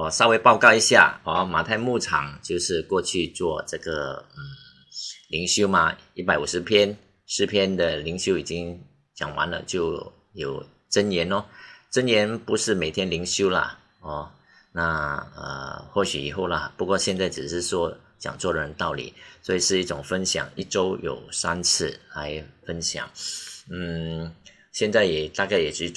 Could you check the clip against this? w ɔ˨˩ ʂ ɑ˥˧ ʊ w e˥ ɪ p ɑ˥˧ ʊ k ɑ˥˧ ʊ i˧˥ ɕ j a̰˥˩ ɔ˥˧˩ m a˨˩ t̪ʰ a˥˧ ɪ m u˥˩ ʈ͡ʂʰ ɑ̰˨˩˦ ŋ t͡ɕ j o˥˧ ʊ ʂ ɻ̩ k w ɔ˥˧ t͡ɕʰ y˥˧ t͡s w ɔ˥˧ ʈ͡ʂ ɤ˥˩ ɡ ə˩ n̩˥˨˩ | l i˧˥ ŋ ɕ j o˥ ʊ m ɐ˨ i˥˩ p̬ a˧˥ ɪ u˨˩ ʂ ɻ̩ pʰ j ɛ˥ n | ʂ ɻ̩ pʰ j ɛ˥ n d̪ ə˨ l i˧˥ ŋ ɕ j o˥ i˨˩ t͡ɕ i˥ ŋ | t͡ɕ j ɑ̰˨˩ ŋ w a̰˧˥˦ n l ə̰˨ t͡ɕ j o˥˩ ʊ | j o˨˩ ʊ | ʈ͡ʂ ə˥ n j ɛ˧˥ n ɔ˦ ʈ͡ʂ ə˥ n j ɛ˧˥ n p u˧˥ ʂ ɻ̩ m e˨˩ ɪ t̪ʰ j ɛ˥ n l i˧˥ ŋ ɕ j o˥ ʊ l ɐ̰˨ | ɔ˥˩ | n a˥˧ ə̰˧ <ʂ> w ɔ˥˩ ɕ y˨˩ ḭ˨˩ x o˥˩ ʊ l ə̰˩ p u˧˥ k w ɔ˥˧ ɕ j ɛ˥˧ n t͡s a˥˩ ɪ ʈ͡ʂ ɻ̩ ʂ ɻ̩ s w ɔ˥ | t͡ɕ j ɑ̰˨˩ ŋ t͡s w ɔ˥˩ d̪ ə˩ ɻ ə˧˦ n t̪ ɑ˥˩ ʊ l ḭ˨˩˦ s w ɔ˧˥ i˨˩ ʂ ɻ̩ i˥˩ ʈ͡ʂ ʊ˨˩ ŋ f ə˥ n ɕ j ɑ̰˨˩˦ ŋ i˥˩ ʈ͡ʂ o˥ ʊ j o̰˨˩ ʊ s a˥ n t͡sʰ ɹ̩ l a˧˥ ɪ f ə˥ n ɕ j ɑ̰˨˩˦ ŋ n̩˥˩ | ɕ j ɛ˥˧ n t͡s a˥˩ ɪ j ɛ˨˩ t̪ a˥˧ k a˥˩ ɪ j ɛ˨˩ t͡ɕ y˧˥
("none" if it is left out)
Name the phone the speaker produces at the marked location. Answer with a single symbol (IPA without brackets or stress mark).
x